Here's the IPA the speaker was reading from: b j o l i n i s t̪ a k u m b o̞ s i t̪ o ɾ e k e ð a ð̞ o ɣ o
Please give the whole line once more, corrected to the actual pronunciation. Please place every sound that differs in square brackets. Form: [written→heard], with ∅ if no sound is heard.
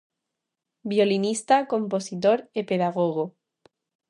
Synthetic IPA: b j o l i n i s t̪ a k [u→o] m [b→p] o̞ s i t̪ o ɾ e [k→p] e ð a [ð̞→ɣ̞] o ɣ o